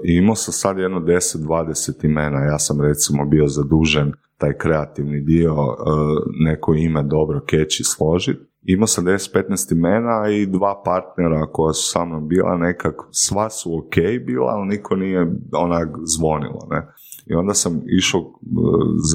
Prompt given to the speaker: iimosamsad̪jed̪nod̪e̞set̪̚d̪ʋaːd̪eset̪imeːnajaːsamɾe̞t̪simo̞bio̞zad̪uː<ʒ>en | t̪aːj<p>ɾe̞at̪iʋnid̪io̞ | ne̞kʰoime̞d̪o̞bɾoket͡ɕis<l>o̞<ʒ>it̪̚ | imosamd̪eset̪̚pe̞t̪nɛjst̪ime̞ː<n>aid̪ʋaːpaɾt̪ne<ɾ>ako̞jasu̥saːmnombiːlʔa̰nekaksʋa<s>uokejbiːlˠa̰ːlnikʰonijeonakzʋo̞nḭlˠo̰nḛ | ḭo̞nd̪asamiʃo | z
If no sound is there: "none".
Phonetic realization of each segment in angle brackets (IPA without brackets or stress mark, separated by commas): ʒ, k, l, ʒ, n, ɾ, s